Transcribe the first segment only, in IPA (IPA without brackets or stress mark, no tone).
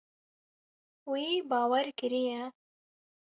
w